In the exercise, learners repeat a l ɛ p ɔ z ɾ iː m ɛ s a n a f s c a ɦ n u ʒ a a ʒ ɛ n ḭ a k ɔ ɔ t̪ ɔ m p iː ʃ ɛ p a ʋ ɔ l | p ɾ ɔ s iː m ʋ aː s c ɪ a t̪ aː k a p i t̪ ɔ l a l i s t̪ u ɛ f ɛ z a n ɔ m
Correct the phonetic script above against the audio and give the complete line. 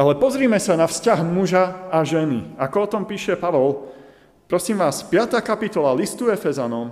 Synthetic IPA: a l ɛ p ɔ z ɾ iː m ɛ s a n a f s c a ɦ m u ʒ a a ʒ ɛ n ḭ a k ɔ ɔ t̪ ɔ m p iː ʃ ɛ p a ʋ ɔ l | p ɾ ɔ s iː m ʋ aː s p ɪ a t̪ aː k a p i t̪ ɔ l a l i s t̪ u ɛ f ɛ z a n ɔ m